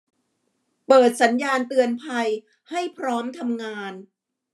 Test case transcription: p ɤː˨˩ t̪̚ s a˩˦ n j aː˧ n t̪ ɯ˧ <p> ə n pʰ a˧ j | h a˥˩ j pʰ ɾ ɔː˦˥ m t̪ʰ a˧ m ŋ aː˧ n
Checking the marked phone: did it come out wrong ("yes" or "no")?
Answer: yes